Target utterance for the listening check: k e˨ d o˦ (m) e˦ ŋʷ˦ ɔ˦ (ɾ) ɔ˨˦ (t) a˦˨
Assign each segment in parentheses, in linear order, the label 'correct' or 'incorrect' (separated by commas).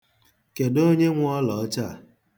incorrect, incorrect, incorrect